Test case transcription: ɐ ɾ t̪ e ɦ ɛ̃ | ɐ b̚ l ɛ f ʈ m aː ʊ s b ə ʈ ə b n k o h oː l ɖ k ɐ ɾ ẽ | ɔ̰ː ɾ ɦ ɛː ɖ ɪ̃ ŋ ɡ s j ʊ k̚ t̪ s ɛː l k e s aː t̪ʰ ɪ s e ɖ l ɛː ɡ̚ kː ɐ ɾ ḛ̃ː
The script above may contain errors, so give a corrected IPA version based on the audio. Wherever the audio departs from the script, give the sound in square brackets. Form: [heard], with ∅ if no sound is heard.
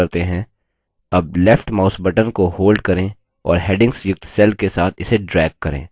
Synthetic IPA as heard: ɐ ɾ t̪ e ɦ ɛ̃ | ɐ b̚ l ɛ f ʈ m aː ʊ s b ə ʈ ə [∅] n k o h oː l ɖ k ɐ ɾ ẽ | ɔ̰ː ɾ ɦ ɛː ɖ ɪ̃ ŋ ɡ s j ʊ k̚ t̪ s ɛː l k e s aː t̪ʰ ɪ s e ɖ [ɾ] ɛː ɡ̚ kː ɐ ɾ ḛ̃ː